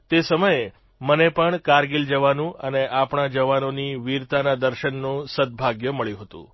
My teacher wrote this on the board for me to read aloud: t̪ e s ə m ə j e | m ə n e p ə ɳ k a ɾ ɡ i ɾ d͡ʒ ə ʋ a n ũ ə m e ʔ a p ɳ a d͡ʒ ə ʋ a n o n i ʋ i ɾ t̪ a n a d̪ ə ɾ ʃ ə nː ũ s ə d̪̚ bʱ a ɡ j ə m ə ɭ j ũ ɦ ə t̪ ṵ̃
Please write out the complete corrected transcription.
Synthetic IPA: t̪ e s ə m ə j e | m ə n e p ə ɳ k a ɾ ɡ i l d͡ʒ ə ʋ a n ũ ə n e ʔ a p ɳ a d͡ʒ ə ʋ a n o n i ʋ i ɾ t̪ a n a d̪ ə ɾ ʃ ə nː ũ s ə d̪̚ bʱ a ɡ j ə m ə ɭ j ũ ɦ ə t̪ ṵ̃